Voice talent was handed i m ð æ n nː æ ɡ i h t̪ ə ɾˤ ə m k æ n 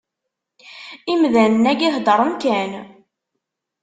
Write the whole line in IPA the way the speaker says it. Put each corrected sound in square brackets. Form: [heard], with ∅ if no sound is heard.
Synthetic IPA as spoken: i m ð æ n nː æ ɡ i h [d̪] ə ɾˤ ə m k æ n